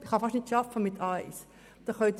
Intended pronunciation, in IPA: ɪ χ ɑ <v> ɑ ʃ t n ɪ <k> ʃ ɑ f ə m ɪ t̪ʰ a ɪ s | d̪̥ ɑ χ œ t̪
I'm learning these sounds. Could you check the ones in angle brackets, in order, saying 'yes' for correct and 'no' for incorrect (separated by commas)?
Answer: no, no